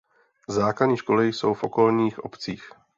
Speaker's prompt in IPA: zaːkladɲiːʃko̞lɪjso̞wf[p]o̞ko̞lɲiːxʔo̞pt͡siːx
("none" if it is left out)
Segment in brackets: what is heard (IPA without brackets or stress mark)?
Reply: ʔ